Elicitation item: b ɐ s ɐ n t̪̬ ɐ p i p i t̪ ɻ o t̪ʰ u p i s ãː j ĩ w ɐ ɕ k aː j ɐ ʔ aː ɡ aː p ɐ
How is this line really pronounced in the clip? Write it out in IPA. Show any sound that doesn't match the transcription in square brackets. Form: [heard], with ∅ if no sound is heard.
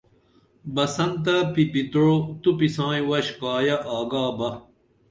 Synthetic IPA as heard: b ɐ s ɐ n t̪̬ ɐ p i p i t̪ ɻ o [t̪] u p i s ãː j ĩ w ɐ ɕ k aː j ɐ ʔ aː ɡ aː [b] ɐ